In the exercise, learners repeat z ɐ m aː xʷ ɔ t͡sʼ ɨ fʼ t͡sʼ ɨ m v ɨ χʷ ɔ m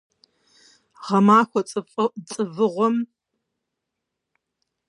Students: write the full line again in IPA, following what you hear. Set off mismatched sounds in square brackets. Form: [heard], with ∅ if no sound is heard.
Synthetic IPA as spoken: [ʁ] ɐ m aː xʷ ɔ t͡sʼ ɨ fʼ t͡sʼ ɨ [∅] v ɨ [ʁʷ] ɔ m